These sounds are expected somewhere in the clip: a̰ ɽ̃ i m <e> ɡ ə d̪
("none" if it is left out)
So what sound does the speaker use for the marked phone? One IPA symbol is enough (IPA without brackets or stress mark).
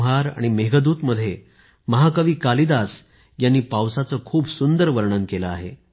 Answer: e